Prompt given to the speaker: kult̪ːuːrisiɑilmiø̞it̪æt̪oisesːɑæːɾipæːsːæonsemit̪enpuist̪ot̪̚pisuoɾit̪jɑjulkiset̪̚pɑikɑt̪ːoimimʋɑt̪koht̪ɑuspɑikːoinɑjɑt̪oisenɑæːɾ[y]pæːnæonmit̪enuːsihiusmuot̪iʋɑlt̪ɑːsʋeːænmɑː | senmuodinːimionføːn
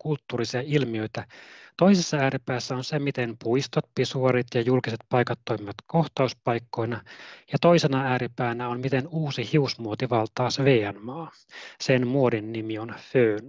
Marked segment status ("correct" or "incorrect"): incorrect